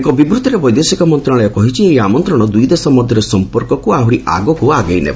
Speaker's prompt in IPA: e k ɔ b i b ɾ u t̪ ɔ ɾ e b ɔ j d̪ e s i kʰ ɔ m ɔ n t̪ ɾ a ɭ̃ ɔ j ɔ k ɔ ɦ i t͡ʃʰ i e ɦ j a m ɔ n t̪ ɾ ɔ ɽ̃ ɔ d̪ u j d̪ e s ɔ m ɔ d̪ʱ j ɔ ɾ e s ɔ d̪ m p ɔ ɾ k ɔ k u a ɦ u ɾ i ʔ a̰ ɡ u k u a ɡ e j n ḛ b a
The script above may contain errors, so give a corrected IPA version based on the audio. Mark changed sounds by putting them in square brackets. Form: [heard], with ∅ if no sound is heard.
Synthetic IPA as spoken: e k ɔ b i b ɾ u t̪ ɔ ɾ e b ɔ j d̪ e s i [k] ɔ m ɔ n t̪ ɾ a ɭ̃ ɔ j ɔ k ɔ ɦ i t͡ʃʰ i e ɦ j a m ɔ n t̪ ɾ ɔ ɽ̃ ɔ d̪ u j d̪ e s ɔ m ɔ d̪ʱ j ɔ ɾ e s ɔ [∅] m p ɔ ɾ k ɔ k u a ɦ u ɾ i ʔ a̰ ɡ [ɔ] k u a ɡ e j n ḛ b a